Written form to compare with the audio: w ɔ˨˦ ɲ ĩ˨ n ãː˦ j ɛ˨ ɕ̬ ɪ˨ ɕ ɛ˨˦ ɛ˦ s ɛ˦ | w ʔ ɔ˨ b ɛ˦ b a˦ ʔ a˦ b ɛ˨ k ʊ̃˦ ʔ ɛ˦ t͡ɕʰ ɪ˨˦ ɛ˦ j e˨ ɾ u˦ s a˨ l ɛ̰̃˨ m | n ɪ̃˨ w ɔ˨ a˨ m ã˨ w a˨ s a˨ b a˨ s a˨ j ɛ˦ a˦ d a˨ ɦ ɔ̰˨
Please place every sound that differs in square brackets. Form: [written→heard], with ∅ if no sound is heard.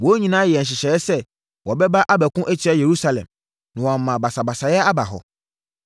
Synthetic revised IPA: w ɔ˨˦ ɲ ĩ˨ n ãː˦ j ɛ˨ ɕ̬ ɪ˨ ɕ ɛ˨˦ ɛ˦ s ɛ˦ | w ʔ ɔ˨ b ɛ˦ b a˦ ʔ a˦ b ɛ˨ k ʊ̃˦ ʔ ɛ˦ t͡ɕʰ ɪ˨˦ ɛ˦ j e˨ ɾ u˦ s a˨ l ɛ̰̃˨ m | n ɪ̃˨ w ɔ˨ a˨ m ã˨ [w→b] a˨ s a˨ b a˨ s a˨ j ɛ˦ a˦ [d→b] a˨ ɦ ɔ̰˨